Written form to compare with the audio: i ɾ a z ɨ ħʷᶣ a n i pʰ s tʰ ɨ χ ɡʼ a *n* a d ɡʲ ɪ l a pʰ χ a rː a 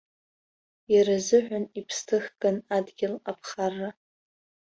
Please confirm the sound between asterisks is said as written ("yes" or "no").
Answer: yes